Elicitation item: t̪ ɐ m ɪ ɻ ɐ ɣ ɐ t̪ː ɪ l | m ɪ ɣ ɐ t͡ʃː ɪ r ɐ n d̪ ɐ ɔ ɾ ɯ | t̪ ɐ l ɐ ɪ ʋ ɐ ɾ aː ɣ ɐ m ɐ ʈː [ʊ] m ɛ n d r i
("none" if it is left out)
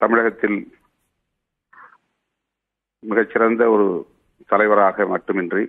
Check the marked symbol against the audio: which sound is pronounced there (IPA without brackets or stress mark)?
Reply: ɯ